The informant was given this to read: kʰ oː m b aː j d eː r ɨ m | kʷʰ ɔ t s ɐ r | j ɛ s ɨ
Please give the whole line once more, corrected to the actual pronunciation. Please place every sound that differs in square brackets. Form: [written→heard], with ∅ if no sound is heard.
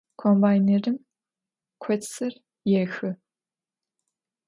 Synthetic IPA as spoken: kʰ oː m b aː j [d→n] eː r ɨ m | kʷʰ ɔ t s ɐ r | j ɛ [s→x] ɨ